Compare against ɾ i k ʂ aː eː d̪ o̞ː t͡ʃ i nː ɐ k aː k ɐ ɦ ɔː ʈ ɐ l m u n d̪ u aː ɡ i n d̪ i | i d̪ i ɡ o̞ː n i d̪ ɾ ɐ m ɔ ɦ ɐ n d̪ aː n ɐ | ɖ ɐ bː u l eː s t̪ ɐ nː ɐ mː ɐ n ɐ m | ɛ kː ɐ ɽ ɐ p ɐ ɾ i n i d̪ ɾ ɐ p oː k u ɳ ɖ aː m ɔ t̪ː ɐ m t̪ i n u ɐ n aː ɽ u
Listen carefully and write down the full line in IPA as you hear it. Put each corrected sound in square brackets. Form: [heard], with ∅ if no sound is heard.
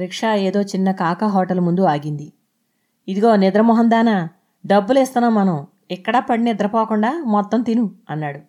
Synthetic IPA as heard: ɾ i k ʂ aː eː d̪ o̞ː t͡ʃ i nː ɐ k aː k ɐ ɦ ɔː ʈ ɐ l m u n d̪ u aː ɡ i n d̪ i | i d̪ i ɡ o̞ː n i d̪ ɾ ɐ m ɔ ɦ ɐ n d̪ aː n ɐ | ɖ ɐ bː u l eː s t̪ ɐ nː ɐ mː ɐ n ɐ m | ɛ kː ɐ ɽ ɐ p ɐ [ɽ] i n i d̪ ɾ ɐ p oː k u ɳ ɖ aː m ɔ t̪ː ɐ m t̪ i n u ɐ [nː] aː ɽ u